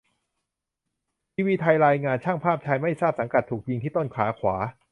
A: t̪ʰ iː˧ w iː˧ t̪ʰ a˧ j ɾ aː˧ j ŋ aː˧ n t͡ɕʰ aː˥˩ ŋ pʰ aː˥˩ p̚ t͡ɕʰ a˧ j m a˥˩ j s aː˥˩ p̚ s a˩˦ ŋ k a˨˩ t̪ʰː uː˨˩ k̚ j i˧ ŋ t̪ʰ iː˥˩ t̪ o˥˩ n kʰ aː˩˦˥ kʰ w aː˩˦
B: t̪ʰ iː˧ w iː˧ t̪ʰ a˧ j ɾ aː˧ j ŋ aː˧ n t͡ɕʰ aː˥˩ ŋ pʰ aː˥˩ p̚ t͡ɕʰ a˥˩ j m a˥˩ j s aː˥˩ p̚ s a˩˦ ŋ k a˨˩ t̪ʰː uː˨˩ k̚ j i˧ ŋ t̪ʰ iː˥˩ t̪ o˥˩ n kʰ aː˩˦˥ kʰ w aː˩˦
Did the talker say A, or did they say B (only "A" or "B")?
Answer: A